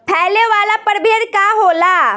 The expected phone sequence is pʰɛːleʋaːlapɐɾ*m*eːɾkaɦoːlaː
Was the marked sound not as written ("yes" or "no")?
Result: yes